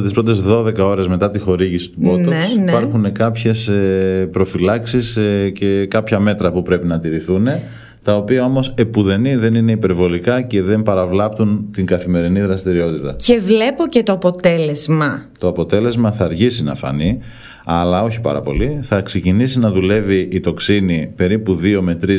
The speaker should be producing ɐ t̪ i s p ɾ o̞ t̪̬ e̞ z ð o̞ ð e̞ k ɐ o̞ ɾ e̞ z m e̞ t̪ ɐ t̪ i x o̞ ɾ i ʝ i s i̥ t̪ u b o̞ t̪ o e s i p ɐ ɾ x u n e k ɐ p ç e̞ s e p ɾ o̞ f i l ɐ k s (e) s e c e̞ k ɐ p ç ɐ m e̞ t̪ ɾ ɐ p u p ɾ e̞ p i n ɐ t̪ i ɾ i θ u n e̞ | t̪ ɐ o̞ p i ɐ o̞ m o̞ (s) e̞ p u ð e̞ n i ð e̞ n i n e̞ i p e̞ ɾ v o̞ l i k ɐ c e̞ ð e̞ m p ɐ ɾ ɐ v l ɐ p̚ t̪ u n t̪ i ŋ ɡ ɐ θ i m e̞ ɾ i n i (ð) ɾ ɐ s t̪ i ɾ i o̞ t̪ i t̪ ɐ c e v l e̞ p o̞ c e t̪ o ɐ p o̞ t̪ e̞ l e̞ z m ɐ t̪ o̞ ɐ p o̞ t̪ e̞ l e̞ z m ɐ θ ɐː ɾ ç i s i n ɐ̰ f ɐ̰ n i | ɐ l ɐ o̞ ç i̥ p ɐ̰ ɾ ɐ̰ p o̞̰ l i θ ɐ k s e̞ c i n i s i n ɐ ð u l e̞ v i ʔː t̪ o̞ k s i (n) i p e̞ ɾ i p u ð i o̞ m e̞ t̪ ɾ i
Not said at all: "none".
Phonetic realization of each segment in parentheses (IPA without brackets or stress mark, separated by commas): i, s, ð, n